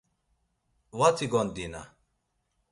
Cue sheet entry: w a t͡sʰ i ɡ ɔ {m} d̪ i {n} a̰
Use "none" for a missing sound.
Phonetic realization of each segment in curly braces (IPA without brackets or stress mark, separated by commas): n, n